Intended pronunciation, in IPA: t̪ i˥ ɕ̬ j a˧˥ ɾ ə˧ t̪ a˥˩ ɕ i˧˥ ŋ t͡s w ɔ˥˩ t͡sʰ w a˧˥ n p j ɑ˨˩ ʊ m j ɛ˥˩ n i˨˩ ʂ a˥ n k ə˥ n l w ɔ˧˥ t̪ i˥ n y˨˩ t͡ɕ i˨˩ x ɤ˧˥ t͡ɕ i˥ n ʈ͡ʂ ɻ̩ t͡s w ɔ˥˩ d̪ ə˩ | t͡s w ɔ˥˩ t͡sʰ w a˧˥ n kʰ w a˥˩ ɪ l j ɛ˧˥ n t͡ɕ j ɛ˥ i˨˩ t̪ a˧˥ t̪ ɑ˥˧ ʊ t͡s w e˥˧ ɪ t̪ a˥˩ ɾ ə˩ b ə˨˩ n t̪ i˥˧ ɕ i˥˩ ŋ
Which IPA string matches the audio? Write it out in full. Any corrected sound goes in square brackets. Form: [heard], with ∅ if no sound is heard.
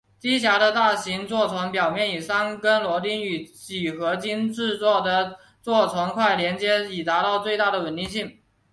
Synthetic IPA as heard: t̪ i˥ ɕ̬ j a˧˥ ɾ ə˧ t̪ a˥˩ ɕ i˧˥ ŋ t͡s w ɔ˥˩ t͡sʰ w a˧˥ n p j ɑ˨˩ ʊ m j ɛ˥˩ n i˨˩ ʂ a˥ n k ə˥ n l w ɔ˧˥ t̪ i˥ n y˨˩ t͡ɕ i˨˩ x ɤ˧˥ t͡ɕ i˥ n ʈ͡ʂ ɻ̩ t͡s w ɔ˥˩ d̪ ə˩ | t͡s w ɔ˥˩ t͡sʰ w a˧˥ n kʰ w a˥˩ ɪ l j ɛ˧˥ n t͡ɕ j ɛ˥ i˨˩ t̪ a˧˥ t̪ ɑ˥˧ ʊ t͡s w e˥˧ ɪ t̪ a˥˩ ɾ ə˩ [w] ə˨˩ n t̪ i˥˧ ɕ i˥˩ ŋ